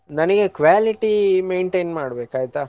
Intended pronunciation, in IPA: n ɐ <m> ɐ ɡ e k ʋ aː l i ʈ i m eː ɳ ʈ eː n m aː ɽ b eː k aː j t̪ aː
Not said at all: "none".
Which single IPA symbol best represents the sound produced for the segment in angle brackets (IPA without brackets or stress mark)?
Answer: n